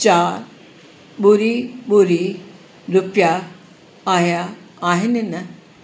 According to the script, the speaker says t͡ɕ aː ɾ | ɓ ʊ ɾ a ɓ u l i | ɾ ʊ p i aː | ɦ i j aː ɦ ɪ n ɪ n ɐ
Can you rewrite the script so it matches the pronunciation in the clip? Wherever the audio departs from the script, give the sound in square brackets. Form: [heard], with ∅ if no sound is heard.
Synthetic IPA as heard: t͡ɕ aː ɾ | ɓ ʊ ɾ [i] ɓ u [ɾ] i | ɾ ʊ p [j] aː | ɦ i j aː ɦ ɪ n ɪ n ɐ